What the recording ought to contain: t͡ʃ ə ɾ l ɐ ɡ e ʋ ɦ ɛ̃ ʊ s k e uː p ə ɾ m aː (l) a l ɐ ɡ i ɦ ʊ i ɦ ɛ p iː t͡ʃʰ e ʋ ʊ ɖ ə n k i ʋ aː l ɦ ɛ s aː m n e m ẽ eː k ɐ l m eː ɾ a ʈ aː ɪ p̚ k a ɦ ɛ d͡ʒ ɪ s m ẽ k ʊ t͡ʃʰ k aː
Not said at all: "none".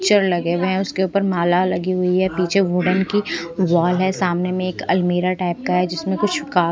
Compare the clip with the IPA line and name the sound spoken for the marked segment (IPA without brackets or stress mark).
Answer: l